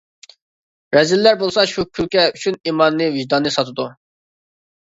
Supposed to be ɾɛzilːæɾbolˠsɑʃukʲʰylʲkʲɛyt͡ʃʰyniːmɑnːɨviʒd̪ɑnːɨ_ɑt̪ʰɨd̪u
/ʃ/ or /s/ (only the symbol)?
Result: s